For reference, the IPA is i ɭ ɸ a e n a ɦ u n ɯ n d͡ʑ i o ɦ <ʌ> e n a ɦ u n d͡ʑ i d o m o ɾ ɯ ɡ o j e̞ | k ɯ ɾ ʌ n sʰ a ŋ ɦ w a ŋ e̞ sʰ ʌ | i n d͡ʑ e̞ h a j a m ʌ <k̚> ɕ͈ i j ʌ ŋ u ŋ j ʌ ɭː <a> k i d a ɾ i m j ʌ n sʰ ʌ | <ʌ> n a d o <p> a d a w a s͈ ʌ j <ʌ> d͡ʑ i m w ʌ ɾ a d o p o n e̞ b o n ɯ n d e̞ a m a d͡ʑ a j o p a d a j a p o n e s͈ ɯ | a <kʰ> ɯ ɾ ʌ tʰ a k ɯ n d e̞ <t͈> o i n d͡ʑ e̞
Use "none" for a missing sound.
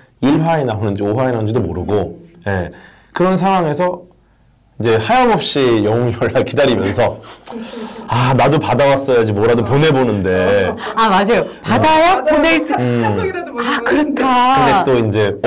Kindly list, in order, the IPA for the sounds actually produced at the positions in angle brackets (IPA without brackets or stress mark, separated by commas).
a, p̚, a, a, p, a, k, t͈